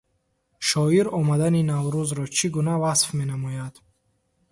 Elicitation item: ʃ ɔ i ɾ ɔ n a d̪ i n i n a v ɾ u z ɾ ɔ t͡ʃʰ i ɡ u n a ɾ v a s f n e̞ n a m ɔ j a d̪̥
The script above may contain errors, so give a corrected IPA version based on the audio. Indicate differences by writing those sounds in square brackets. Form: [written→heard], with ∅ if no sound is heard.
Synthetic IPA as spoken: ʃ ɔ i ɾ ɔ [n→m] a d̪ [i→a] n i n a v ɾ u z ɾ ɔ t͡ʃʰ i ɡ u n a [ɾ→∅] v a s f [n→m] e̞ n a m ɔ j a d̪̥